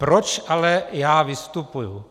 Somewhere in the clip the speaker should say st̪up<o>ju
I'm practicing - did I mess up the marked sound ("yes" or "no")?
yes